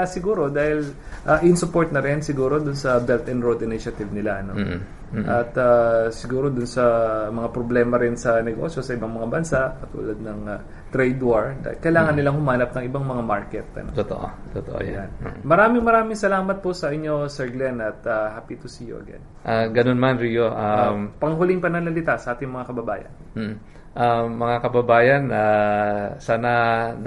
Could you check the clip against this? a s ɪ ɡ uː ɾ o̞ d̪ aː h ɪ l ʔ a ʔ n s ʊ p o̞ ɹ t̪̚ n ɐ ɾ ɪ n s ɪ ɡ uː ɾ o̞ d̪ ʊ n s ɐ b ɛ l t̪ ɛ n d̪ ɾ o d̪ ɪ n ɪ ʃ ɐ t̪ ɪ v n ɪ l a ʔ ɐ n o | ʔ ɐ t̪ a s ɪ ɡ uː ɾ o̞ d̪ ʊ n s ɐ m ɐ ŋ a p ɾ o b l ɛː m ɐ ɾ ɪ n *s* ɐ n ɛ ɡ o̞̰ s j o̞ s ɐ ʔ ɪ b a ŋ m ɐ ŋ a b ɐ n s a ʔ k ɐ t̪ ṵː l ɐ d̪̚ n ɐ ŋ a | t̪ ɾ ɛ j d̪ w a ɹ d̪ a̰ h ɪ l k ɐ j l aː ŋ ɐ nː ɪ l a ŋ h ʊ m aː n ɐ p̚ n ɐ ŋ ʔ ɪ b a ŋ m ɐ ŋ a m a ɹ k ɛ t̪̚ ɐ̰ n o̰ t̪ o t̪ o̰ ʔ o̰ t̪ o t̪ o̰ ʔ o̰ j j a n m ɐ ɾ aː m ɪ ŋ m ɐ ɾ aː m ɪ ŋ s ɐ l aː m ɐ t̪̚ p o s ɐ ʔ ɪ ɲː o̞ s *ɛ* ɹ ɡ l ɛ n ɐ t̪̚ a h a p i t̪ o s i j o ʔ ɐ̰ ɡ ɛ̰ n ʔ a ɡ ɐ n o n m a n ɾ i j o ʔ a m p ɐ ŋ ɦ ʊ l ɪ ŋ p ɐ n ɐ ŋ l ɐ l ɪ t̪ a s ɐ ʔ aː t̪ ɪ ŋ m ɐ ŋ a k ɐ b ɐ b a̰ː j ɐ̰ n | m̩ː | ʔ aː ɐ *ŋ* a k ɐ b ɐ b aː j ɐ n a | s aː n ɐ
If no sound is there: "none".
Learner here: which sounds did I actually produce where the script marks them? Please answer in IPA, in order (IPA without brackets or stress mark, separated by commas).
s, ɛ, ŋ